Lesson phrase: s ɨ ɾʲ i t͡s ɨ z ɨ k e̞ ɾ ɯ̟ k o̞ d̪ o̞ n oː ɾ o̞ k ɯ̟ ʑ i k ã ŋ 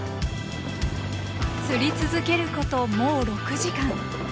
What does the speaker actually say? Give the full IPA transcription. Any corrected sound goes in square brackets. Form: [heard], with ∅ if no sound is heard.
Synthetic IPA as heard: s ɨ ɾʲ i t͡s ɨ z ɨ k e̞ ɾ ɯ̟ k o̞ [t̪] o̞ [m] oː ɾ o̞ k ɯ̟ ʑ i k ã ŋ